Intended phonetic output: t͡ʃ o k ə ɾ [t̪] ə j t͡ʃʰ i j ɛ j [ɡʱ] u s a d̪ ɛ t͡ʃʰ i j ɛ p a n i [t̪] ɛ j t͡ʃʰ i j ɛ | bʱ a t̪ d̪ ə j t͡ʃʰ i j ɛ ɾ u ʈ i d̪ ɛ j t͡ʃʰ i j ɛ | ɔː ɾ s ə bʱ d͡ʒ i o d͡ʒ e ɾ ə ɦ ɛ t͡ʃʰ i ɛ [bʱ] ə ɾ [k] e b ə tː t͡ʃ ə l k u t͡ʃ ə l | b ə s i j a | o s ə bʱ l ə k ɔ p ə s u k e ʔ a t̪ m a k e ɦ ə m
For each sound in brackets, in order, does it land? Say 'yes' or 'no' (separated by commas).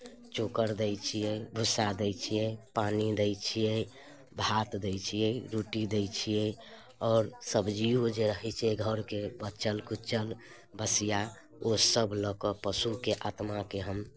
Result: no, no, no, no, yes